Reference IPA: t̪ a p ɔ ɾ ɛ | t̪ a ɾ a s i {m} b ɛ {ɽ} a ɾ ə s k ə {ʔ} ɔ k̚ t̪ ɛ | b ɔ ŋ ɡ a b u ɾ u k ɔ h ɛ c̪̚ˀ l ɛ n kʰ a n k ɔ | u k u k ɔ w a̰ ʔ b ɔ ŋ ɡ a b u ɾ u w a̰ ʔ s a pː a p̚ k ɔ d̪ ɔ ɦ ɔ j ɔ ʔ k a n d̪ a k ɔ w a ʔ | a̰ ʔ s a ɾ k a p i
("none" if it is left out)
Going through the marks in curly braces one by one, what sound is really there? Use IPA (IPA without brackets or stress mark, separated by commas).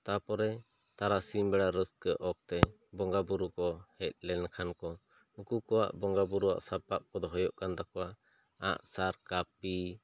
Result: m, ɽ, ʔ